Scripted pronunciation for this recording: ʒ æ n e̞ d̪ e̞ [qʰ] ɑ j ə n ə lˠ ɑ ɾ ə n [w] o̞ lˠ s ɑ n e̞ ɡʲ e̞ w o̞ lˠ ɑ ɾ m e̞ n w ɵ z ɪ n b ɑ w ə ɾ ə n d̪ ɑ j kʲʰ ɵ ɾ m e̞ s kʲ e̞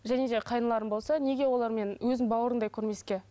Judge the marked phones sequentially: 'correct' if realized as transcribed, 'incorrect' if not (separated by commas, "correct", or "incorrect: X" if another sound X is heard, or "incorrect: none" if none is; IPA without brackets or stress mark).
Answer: correct, incorrect: b